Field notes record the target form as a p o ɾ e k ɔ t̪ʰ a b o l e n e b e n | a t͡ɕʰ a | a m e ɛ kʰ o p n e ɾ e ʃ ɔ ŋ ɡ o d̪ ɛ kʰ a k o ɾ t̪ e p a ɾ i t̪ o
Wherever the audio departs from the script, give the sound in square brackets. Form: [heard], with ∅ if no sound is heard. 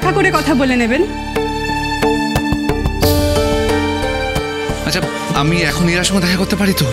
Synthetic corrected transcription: a [k] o ɾ e k ɔ t̪ʰ a b o l e n e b e n | a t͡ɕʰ a | a m [i] ɛ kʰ o [∅] n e ɾ [a] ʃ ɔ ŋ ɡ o d̪ ɛ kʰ a k o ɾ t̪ e p a ɾ i t̪ o